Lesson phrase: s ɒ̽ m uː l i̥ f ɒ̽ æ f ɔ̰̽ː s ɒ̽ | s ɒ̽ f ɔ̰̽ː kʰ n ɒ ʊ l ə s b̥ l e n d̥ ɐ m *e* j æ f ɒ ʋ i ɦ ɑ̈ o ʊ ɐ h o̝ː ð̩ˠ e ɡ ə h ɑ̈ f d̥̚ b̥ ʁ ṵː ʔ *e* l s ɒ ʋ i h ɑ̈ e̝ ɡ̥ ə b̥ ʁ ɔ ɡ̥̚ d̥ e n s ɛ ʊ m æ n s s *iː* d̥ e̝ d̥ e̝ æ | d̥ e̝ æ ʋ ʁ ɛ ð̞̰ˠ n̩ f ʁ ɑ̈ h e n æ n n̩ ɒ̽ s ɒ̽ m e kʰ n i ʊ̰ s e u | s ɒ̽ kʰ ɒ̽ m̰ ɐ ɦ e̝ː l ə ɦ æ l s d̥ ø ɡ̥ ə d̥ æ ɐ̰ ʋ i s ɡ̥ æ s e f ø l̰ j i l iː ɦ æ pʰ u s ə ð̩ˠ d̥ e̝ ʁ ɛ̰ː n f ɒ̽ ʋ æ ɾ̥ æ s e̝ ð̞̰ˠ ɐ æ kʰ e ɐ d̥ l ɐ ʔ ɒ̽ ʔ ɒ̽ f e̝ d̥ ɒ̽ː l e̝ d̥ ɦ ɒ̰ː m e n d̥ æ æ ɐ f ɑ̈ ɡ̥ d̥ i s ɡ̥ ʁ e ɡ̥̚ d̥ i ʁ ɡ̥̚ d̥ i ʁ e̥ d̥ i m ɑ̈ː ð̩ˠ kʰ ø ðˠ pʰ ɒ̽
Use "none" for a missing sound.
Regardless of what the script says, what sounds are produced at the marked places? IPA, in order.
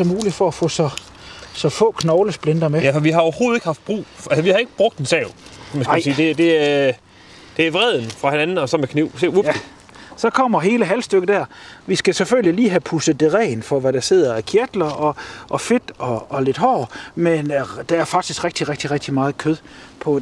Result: e, æ, iː

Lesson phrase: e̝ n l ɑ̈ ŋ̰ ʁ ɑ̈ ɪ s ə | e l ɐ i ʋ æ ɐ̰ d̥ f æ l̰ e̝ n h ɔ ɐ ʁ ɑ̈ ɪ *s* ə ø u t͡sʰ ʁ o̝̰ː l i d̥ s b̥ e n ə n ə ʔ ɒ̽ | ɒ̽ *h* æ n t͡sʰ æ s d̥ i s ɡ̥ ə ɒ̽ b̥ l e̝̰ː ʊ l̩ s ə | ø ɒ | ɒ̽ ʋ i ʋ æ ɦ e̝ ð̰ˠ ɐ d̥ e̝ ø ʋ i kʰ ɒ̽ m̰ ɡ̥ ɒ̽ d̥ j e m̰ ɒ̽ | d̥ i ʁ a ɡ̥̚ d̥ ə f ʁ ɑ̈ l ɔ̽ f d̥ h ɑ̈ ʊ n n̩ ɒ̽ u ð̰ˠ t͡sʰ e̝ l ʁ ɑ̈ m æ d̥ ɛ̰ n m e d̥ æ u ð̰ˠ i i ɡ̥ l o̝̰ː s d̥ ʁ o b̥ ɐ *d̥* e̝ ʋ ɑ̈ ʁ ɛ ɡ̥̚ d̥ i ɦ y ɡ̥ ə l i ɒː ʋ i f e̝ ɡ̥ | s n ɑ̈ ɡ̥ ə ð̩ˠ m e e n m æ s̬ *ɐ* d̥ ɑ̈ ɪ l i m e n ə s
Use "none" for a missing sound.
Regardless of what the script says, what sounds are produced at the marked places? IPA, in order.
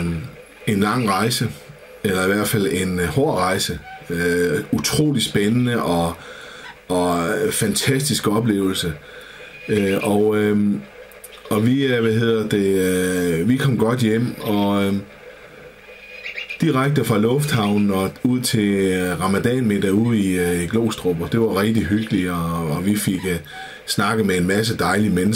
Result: s, f, d̥, ə

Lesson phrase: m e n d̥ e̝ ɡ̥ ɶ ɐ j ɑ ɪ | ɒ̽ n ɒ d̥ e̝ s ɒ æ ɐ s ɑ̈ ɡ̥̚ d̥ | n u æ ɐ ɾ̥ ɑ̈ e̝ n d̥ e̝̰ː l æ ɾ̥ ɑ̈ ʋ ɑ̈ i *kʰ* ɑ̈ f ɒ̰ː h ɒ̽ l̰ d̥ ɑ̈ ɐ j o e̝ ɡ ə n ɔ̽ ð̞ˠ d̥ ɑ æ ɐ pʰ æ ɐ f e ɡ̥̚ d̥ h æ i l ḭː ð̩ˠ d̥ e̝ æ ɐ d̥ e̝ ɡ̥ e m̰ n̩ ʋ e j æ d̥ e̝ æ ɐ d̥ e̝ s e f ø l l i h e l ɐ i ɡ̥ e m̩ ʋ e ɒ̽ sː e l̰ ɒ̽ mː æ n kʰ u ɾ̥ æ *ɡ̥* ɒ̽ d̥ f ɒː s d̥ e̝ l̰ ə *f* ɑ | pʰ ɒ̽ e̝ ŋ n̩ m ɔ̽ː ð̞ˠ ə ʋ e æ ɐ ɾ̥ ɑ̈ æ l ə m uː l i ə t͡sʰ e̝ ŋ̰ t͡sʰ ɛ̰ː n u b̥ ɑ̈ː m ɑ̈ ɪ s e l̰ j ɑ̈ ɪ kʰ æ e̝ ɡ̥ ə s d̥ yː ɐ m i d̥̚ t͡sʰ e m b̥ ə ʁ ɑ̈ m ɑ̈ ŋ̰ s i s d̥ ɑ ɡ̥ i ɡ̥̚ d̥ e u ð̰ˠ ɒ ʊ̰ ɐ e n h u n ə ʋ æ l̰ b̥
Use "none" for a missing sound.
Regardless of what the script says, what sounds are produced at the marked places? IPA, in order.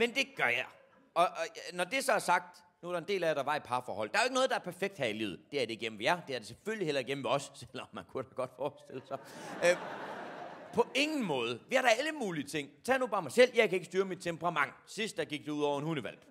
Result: pʰ, ɡ̥, s

